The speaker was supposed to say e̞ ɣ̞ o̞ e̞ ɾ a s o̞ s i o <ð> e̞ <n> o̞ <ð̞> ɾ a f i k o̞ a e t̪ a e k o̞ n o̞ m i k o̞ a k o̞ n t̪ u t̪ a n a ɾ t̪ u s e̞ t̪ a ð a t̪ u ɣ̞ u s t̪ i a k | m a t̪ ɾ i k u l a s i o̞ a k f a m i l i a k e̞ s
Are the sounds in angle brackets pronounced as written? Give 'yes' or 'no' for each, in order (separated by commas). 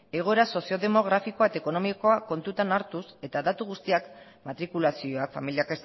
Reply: yes, no, no